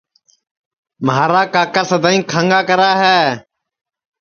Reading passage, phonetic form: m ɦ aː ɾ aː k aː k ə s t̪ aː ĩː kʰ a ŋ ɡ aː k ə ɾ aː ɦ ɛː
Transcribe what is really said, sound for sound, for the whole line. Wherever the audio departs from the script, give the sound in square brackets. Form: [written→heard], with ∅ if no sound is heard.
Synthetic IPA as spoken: m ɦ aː ɾ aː k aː k ə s [t̪→d̪] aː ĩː kʰ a ŋ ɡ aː k ə ɾ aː ɦ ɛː